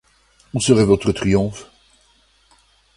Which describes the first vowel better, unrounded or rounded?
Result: rounded